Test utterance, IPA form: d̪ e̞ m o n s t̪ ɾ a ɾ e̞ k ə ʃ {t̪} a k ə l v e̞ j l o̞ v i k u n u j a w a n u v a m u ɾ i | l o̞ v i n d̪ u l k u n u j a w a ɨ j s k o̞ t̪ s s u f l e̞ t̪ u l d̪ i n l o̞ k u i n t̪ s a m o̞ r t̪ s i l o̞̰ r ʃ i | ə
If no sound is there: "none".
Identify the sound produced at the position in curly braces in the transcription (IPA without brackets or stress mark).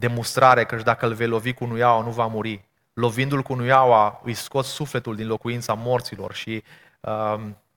d̪